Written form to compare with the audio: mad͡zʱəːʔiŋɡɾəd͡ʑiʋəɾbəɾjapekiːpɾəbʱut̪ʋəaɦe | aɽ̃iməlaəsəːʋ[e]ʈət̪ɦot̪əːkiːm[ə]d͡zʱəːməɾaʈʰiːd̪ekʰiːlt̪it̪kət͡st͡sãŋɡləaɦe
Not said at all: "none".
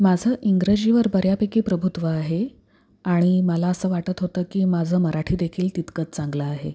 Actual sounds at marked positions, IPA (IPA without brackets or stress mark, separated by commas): a, a